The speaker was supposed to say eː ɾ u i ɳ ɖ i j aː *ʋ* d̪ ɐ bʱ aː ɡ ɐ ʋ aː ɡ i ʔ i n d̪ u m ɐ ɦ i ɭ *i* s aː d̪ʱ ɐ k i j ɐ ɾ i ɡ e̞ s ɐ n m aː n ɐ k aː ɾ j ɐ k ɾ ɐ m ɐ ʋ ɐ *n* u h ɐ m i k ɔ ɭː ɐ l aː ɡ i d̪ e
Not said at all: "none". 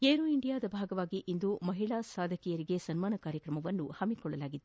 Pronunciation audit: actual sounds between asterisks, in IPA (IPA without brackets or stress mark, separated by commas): none, a, nː